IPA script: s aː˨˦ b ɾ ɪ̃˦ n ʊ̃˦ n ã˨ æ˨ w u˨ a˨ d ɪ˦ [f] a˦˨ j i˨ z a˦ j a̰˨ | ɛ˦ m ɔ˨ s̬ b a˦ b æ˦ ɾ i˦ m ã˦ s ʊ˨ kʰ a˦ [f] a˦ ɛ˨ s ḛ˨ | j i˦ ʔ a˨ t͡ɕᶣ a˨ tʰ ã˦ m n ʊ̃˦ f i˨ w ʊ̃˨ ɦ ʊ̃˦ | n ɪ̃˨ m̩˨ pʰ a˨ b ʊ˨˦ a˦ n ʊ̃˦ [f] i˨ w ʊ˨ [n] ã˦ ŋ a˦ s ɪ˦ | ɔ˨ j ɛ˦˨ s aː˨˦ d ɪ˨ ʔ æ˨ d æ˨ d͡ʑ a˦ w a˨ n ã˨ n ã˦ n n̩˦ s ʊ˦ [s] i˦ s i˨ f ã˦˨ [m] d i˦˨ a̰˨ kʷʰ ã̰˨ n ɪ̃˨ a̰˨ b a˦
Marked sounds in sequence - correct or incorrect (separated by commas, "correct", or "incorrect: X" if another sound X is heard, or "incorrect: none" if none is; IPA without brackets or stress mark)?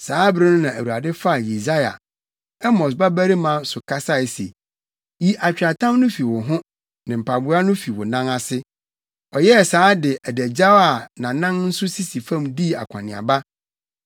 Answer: correct, incorrect: s, correct, correct, correct, correct